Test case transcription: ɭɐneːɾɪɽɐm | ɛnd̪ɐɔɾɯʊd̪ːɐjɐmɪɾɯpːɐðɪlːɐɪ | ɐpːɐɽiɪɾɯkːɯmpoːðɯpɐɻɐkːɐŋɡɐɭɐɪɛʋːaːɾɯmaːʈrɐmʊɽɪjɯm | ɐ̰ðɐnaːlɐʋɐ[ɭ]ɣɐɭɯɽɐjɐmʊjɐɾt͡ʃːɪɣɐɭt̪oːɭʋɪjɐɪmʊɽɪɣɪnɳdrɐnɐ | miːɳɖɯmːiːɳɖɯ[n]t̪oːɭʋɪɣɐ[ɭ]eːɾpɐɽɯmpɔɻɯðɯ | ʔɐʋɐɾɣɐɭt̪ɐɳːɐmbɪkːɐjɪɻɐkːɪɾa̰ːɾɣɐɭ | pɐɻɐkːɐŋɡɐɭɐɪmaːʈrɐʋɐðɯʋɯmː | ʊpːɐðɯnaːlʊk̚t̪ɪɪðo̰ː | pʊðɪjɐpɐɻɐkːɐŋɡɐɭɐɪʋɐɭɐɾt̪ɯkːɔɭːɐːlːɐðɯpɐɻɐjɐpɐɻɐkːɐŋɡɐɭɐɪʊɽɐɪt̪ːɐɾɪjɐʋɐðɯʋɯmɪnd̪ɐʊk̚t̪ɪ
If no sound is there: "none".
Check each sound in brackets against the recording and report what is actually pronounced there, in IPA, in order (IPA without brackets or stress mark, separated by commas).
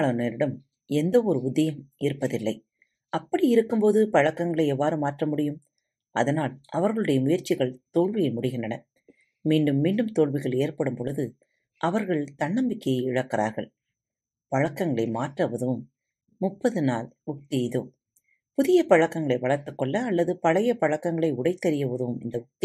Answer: ɾ, m, ɭ